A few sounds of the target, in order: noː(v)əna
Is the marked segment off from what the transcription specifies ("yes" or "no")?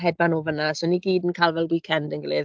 no